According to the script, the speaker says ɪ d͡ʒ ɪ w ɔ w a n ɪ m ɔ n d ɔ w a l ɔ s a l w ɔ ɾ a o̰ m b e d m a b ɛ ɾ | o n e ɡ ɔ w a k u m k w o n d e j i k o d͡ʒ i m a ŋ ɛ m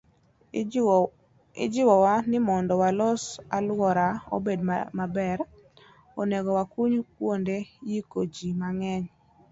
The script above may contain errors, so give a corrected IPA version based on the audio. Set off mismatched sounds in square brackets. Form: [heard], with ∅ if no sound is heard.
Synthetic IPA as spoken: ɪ d͡ʒ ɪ w ɔ w a n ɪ m ɔ n d ɔ w a l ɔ s a l w ɔ ɾ a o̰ [∅] b e d m a b ɛ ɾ | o n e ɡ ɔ w a k u [ɲ] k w o n d e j i k o d͡ʒ i m a ŋ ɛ [ɲ]